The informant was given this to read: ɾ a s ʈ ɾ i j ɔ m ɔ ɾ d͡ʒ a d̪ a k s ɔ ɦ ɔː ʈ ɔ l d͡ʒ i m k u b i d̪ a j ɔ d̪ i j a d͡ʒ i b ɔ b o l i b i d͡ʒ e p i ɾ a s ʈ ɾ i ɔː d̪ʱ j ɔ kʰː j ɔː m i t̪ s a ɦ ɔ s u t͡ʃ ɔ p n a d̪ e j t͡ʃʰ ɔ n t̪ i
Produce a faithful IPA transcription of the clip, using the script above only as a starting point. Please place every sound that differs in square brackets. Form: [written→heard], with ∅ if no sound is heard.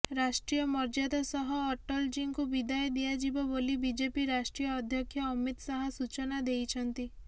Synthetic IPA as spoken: ɾ a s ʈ ɾ i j ɔ m ɔ ɾ d͡ʒ a d̪ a [k→∅] s ɔ ɦ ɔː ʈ ɔ l d͡ʒ i [m→ŋ] k u b i d̪ a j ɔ d̪ i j a d͡ʒ i b ɔ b o l i b i d͡ʒ e p i ɾ a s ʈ ɾ i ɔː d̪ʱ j ɔ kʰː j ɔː m i t̪ s a ɦ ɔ s u t͡ʃ ɔ [p→∅] n a d̪ e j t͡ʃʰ ɔ n t̪ i